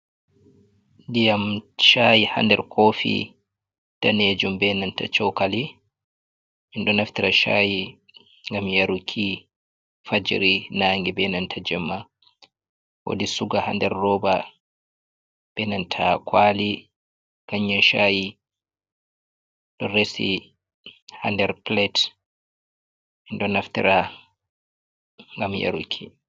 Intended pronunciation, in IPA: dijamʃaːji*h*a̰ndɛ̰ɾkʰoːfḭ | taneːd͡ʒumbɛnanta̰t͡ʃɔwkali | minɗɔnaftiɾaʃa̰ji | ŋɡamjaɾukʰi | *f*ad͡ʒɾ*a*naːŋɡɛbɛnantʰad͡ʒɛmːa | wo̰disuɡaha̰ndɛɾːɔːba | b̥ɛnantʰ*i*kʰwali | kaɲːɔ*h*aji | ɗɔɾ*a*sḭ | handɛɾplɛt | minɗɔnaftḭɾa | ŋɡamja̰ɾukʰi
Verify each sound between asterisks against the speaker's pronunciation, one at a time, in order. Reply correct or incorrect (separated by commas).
correct, correct, incorrect, incorrect, incorrect, incorrect